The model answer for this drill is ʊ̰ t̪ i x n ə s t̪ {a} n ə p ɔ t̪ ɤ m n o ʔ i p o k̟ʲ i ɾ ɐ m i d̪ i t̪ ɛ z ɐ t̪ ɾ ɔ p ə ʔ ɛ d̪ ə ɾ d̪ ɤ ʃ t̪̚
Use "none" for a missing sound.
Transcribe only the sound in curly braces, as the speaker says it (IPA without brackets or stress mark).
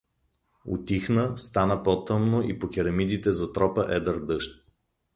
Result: a